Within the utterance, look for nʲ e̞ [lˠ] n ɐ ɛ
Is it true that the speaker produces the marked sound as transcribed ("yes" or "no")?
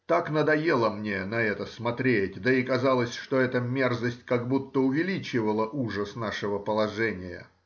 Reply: no